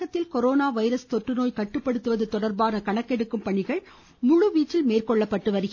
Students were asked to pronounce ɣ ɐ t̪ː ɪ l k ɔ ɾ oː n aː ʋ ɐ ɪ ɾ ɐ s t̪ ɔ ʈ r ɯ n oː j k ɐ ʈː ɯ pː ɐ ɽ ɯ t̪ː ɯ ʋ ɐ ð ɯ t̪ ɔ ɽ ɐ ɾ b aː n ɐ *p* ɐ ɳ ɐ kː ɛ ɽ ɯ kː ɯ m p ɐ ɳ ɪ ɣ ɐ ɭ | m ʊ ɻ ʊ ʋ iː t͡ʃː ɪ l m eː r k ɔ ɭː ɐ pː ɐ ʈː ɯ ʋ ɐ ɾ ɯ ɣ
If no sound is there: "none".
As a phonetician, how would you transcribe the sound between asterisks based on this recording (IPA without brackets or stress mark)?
k